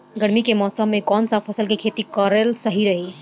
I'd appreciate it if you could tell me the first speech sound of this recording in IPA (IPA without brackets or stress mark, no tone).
ɡ